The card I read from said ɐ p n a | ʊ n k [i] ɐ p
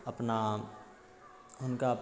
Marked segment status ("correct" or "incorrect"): incorrect